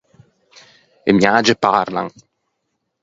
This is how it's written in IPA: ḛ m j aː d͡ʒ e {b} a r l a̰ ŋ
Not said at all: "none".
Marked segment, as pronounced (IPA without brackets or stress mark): p